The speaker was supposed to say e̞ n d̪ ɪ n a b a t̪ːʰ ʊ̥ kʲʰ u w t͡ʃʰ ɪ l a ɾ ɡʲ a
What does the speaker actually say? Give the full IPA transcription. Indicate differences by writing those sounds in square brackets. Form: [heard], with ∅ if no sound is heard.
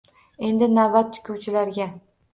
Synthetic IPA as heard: e̞ n d̪ ɪ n a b a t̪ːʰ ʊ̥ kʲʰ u w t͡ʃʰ ɪ l a ɾ ɡʲ a